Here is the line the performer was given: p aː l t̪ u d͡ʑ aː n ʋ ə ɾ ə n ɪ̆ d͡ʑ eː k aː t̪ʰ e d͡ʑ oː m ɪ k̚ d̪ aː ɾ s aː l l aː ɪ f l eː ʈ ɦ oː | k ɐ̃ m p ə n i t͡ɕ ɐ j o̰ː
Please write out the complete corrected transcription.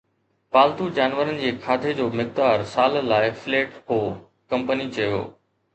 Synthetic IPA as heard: p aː l t̪ u d͡ʑ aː n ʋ ə ɾ ə n ɪ̆ d͡ʑ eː kʰ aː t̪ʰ e d͡ʑ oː m ɪ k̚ d̪ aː ɾ s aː l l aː ɪ f l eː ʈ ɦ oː | k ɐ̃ m p ə n i t͡ɕ ɐ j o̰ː